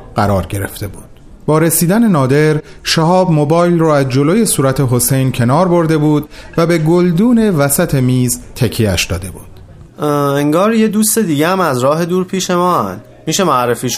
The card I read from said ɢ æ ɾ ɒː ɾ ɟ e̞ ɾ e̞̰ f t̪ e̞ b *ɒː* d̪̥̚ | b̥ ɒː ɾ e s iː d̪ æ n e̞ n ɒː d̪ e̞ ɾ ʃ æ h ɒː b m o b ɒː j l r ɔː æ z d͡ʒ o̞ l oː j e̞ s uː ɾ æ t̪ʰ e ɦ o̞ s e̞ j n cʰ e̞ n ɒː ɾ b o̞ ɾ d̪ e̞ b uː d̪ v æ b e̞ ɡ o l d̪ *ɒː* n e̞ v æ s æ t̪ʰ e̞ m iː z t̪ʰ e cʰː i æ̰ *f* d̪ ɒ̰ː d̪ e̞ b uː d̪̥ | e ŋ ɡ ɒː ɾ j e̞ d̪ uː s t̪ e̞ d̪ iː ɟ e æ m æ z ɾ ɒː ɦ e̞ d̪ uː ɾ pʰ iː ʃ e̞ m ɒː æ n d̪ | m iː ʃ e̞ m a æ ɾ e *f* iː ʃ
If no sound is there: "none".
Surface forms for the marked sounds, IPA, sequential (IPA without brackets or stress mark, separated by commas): uː, uː, ʃ, f